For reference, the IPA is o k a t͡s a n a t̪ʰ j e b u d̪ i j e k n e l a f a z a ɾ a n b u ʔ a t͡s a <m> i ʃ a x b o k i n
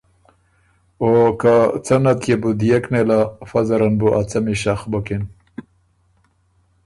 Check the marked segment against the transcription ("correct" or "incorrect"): correct